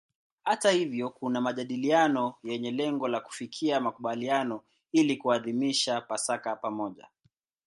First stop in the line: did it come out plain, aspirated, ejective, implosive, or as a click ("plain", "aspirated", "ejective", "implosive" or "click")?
plain